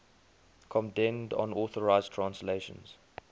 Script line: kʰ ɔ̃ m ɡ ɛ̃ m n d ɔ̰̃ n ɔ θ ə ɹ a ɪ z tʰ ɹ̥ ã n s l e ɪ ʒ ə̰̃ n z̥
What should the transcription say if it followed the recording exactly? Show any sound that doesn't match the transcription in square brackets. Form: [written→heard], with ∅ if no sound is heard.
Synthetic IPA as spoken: kʰ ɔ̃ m [ɡ→d] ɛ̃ [m→∅] n d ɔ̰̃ n ɔ θ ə ɹ a ɪ z tʰ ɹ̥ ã n s l e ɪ [ʒ→ʃ] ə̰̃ n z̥